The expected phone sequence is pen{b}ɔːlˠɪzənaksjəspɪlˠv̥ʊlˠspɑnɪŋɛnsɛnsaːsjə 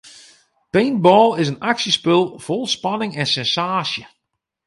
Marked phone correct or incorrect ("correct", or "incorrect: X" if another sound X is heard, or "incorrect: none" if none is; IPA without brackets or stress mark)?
correct